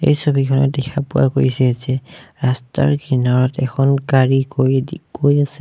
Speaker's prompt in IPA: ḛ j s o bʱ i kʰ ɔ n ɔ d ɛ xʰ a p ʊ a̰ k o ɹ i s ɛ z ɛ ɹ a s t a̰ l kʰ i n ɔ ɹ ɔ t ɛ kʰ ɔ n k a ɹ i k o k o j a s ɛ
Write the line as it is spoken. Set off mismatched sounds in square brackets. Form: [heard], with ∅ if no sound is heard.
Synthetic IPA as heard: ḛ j s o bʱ i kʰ ɔ n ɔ d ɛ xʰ a p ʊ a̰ k o ɹ i s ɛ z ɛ ɹ a s t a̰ [ɹ] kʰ i n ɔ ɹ ɔ t ɛ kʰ ɔ n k a ɹ i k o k o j a s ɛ